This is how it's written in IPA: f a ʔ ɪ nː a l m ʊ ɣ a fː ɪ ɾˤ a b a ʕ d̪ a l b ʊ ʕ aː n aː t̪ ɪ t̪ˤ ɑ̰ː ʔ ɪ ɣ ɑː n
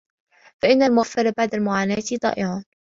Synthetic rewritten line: f a ʔ ɪ nː a l m ʊ ɣ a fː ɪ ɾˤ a b a ʕ d̪ a l m ʊ ʕ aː n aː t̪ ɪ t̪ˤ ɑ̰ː ʔ ɪ ʕ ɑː n